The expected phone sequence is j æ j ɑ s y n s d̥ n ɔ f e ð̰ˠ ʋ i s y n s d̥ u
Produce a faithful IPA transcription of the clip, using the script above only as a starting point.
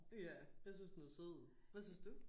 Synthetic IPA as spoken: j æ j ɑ s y n s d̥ n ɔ s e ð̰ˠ ʋ æ s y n s d̥ u